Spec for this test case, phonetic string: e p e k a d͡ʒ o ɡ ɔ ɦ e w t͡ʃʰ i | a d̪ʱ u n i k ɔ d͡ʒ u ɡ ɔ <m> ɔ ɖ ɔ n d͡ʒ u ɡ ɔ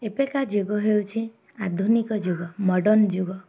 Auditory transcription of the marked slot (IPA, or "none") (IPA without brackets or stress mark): m